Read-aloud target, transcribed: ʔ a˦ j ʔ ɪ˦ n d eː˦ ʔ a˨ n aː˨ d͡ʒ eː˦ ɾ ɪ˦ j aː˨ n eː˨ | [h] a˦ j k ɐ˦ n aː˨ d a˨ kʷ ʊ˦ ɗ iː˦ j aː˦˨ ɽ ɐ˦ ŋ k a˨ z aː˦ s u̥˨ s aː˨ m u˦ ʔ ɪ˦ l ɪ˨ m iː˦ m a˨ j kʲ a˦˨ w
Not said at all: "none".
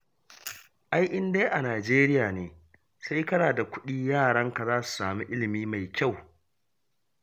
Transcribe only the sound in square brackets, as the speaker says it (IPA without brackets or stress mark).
s